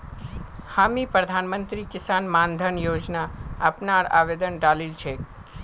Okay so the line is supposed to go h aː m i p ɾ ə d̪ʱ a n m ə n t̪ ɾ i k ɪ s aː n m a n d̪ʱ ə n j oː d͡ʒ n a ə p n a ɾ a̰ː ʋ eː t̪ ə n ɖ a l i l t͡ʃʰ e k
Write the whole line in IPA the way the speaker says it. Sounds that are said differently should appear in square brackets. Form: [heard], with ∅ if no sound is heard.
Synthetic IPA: h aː m i p ɾ ə d̪ʱ a n m ə n t̪ ɾ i k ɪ s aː n m a n d̪ʱ ə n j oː d͡ʒ n a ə p n a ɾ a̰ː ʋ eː [d̪] ə n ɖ a l i l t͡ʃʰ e k